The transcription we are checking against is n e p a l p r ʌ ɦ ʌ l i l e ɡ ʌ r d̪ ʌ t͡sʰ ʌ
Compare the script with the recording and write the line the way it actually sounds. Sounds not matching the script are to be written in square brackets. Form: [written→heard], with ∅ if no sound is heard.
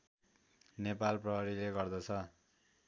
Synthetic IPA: n e p a l p r ʌ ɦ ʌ [l→ɾ] i l e ɡ ʌ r d̪ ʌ t͡sʰ ʌ